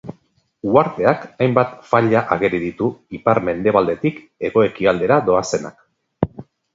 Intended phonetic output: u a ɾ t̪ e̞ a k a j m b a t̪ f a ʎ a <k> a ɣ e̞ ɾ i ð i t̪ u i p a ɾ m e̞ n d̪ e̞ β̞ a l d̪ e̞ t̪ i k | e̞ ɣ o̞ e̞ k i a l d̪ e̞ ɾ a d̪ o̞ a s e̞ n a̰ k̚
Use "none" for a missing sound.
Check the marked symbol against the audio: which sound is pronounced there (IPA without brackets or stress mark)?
ʔ